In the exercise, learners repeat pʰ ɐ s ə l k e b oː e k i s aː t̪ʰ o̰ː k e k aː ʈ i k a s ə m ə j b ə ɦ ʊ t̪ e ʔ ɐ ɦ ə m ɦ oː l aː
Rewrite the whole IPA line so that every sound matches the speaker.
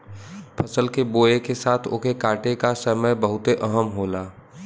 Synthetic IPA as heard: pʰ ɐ s ə l k e b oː e k e s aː t̪ʰ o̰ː k e k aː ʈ e k a s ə m ə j b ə ɦ ʊ t̪ e ʔ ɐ ɦ ə m ɦ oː l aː